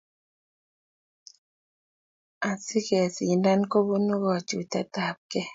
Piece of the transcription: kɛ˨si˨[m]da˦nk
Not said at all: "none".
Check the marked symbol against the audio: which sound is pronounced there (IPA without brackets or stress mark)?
n